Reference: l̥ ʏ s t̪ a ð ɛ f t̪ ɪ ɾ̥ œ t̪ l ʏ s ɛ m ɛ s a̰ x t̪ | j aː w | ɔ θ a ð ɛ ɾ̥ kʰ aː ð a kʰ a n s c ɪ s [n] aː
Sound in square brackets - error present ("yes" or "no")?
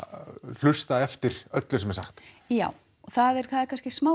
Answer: yes